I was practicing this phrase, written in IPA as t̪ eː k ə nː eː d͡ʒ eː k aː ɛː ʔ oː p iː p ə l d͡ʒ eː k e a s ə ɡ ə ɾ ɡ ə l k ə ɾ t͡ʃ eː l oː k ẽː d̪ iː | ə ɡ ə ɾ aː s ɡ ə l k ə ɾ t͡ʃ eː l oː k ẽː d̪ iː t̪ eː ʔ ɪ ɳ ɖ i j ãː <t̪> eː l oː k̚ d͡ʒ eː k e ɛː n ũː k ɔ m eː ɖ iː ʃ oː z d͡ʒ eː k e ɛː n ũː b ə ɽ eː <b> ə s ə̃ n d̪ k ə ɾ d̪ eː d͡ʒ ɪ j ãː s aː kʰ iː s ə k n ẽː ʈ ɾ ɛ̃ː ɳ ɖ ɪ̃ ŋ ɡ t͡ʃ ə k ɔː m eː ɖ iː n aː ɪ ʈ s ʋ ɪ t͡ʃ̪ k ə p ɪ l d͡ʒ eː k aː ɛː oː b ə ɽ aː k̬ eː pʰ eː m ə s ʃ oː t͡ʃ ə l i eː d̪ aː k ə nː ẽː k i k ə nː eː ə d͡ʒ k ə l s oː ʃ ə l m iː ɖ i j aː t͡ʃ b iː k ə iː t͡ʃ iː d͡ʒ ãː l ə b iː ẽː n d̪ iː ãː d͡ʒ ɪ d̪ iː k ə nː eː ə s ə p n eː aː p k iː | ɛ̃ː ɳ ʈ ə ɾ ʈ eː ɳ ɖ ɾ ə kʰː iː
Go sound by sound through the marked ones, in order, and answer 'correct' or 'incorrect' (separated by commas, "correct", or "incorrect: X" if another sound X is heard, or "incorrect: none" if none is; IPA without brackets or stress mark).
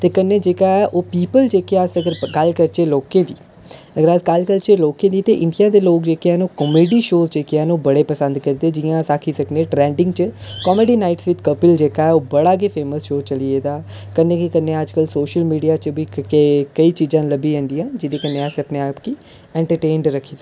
incorrect: d̪, incorrect: p